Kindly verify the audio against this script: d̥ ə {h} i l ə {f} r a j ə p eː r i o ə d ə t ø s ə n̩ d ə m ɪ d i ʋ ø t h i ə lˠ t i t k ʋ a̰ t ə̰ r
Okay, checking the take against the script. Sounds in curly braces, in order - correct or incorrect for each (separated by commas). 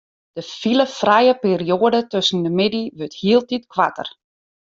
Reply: incorrect, correct